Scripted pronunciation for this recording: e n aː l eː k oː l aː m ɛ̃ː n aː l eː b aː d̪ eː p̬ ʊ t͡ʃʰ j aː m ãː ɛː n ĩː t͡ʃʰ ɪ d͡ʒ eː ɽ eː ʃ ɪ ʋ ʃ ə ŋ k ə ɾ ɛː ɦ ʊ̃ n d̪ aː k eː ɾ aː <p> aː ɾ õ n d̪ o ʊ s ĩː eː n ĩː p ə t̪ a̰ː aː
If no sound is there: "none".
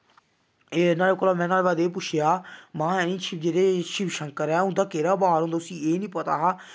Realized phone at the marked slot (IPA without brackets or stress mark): b